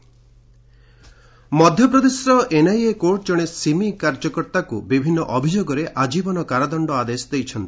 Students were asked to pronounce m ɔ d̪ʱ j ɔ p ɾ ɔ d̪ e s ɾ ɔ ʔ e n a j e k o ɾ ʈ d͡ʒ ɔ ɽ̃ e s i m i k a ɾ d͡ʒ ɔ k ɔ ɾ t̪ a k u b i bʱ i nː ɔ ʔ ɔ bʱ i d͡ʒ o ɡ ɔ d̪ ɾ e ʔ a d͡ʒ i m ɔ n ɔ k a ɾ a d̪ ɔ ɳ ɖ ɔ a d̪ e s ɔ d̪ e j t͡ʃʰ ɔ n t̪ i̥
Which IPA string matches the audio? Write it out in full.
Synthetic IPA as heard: m ɔ d̪ʱ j ɔ p ɾ ɔ d̪ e s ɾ ɔ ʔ e n a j e k o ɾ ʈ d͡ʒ ɔ ɽ̃ e s i m i k a ɾ d͡ʒ ɔ k ɔ ɾ t̪ a k u b i bʱ i nː ɔ ʔ ɔ bʱ i d͡ʒ o ɡ ɔ ɾ e ʔ a d͡ʒ i b ɔ n ɔ k a ɾ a d̪ ɔ ɳ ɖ ɔ a d̪ e s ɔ d̪ e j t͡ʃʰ ɔ n t̪ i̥